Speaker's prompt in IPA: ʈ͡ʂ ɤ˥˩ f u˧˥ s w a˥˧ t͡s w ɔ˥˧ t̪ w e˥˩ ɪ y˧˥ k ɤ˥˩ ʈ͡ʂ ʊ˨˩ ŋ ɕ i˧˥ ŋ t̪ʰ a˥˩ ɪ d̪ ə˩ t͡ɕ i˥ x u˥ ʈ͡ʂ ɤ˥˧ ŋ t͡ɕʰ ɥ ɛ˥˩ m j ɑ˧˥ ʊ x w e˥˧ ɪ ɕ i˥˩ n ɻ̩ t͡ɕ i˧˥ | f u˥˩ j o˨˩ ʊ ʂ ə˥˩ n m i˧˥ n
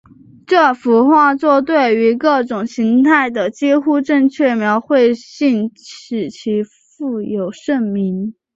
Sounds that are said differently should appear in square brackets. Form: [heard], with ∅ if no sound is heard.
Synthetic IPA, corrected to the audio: ʈ͡ʂ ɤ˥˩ f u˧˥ [x] w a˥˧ t͡s w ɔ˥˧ t̪ w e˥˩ ɪ y˧˥ k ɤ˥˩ ʈ͡ʂ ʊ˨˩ ŋ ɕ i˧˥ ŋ t̪ʰ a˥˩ ɪ d̪ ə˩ t͡ɕ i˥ x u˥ ʈ͡ʂ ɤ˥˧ ŋ t͡ɕʰ ɥ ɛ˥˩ m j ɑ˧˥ ʊ x w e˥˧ ɪ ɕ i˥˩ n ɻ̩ [t͡ɕʰ] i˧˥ | f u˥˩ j o˨˩ ʊ ʂ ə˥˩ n m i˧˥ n